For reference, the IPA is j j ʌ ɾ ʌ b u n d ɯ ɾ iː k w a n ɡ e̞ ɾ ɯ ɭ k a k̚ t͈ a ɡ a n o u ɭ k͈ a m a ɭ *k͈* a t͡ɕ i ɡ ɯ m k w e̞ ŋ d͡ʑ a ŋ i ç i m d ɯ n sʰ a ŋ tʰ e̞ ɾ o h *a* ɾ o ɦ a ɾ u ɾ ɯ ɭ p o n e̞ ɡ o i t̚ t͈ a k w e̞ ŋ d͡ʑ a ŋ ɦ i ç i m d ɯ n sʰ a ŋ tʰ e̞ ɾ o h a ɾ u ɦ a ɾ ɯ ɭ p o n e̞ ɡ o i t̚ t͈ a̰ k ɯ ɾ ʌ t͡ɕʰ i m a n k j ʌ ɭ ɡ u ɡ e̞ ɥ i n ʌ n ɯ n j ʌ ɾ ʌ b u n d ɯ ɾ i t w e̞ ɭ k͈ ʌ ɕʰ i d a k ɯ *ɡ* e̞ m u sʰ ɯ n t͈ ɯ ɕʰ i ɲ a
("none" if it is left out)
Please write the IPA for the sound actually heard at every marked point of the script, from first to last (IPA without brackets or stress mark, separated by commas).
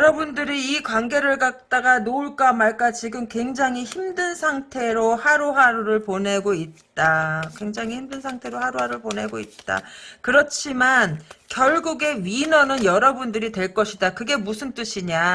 k͈, a, ɡ